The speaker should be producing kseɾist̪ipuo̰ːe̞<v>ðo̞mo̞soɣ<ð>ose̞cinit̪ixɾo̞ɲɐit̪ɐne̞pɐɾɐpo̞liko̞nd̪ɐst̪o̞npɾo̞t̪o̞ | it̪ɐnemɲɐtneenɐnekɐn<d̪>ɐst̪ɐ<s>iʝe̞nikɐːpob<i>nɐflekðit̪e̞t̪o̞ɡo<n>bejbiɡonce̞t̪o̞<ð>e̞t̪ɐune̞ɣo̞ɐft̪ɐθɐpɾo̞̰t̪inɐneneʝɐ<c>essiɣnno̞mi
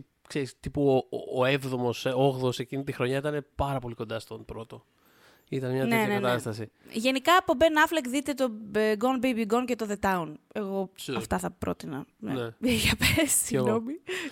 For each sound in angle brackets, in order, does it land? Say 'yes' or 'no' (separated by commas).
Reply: yes, yes, no, yes, no, yes, yes, no